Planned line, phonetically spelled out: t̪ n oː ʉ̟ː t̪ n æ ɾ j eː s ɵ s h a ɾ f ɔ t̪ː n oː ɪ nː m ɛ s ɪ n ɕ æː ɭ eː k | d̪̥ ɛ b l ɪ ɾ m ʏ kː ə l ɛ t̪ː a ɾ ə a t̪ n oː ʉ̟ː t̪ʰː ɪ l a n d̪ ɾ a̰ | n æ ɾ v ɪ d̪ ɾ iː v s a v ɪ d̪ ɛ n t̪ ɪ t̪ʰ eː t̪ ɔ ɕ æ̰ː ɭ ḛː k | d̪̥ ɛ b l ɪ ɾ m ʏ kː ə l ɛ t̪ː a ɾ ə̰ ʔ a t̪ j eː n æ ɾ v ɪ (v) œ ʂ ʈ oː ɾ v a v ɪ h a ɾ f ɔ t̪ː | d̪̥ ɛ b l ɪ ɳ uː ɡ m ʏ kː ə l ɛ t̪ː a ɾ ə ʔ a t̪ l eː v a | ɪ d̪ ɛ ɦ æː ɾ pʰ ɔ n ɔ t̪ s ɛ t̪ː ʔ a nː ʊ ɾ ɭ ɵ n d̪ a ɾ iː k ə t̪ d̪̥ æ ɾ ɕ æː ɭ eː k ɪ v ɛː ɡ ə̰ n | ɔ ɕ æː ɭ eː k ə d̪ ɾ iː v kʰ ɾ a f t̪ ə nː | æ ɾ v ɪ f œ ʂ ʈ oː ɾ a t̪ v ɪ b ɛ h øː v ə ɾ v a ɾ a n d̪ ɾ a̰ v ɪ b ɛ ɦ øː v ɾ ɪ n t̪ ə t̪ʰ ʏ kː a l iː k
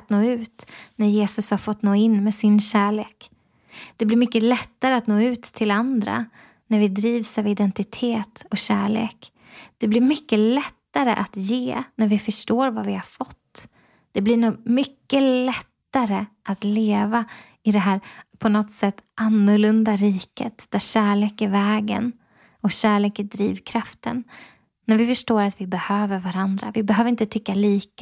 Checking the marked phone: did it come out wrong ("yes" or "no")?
yes